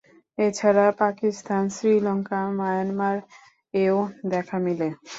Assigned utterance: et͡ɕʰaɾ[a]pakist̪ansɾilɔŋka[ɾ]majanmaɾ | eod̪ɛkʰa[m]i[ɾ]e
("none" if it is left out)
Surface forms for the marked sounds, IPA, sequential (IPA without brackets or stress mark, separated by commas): a, none, m, l